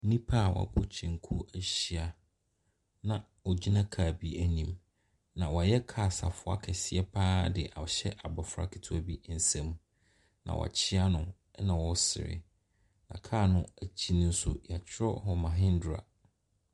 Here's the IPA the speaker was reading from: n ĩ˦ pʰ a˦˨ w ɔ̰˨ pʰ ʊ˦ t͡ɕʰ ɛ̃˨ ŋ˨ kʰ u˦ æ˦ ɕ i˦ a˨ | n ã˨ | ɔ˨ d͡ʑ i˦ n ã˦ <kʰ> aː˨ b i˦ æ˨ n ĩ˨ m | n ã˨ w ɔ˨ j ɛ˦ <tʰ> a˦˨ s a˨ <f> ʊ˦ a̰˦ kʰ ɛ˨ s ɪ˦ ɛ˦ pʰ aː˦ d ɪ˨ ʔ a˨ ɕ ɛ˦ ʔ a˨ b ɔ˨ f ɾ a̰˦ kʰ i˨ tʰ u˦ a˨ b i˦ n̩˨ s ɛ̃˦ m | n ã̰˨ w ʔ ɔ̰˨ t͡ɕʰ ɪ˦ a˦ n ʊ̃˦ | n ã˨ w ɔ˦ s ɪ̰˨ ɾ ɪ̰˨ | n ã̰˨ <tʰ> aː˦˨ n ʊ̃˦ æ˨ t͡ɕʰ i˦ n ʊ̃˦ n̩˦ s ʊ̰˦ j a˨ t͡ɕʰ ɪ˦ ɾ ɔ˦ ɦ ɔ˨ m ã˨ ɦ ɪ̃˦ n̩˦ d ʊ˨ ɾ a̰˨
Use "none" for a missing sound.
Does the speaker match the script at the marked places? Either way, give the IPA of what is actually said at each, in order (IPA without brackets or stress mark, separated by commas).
kʰ, kʰ, f, kʰ